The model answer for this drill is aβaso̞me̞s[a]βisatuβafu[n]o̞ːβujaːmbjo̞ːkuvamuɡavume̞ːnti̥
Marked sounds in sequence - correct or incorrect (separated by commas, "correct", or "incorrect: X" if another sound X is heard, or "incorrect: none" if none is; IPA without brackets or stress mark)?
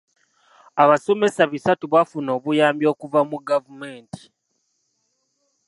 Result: correct, correct